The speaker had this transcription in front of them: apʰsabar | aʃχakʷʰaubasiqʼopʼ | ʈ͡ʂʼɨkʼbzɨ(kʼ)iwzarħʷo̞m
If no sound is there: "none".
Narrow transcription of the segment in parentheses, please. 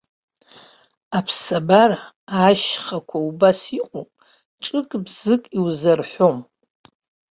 kʼ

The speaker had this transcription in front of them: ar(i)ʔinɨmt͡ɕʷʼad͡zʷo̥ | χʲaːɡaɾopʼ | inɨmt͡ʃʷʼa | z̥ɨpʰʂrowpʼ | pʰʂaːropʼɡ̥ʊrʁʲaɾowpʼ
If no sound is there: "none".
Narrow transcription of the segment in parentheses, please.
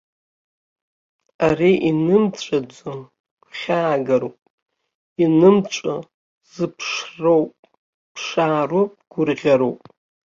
i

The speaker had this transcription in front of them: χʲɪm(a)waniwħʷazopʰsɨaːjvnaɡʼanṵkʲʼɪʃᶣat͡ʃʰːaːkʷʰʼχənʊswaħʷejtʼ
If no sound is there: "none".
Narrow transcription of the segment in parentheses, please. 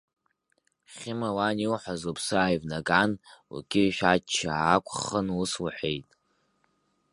a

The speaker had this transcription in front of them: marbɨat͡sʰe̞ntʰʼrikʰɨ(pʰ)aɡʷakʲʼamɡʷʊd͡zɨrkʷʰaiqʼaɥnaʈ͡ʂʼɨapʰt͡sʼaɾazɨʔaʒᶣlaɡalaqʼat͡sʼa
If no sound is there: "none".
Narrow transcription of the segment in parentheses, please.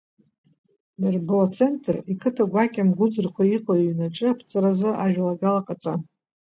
tʰ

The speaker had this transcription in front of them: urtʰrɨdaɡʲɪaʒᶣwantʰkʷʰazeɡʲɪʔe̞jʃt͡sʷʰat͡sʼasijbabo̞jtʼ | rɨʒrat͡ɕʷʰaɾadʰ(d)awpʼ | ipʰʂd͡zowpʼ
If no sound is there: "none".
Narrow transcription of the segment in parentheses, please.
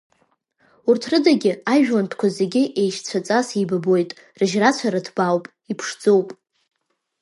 b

